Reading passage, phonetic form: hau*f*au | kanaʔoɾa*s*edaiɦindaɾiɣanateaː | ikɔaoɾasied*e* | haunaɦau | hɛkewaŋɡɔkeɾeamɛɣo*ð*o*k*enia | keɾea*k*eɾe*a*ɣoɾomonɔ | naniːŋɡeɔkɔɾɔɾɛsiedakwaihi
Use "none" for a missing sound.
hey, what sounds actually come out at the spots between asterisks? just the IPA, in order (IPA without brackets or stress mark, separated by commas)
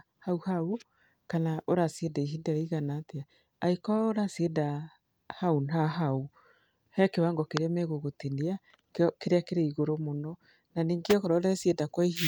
h, s, a, ɣ, t, k, i